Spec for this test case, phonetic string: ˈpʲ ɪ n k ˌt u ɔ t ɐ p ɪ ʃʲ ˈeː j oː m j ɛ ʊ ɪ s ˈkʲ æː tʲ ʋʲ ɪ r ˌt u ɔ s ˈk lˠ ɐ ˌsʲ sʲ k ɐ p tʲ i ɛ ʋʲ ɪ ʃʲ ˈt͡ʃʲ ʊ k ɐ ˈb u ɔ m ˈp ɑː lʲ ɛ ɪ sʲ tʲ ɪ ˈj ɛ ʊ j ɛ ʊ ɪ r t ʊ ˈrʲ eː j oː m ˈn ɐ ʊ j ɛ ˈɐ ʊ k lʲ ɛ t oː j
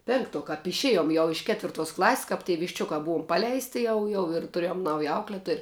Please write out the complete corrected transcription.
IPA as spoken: ˈpʲ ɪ ŋ k ˌt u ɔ k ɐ p ɪ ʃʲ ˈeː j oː m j ɛ ʊ ɪ ʃ ˈkʲ æː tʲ ʋʲ ɪ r ˌt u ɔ s ˈk lˠ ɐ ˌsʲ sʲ k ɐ p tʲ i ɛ ʋʲ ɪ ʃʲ ˈt͡ʃʲ ʊ k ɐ ˈb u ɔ m ˈp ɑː lʲ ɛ ɪ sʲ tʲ ɪ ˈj ɛ ʊ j ɛ ʊ ɪ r t ʊ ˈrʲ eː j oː m ˈn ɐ ʊ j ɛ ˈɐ ʊ k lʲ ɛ t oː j